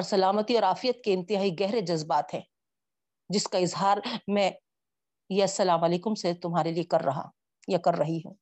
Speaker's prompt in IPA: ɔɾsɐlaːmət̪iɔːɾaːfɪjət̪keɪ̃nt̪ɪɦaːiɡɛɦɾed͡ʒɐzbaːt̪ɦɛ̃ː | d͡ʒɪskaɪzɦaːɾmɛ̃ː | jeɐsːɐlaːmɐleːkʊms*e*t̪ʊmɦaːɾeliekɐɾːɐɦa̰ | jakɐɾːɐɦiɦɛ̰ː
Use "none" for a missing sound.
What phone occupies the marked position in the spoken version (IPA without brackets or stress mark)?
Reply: e